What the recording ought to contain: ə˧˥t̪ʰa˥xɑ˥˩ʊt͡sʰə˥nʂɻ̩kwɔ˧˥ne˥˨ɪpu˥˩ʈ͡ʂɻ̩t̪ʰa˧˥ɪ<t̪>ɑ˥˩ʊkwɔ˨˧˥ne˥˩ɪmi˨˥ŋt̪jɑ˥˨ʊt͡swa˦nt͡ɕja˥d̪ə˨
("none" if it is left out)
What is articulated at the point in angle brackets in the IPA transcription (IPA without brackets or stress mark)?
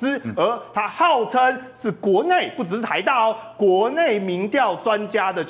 t̪